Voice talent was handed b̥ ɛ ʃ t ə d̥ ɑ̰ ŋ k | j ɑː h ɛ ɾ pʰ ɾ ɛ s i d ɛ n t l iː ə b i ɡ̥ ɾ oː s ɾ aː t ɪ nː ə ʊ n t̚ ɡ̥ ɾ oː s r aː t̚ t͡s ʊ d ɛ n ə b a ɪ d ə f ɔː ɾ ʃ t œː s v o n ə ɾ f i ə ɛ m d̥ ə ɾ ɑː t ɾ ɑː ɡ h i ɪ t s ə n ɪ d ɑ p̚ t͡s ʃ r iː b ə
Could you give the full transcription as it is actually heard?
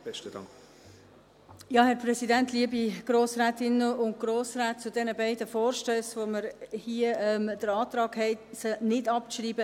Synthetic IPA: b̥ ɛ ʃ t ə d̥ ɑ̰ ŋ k | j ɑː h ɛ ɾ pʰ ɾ ɛ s i d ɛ n t l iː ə b i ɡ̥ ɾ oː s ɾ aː t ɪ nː ə ʊ n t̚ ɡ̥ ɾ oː s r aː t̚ t͡s ʊ d ɛ n ə b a ɪ d ə f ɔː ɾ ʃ t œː s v o m ə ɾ h i ə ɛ m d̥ ə ɾ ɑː t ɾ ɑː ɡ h ɛ ɪ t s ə n ɪ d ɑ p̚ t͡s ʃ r iː b ə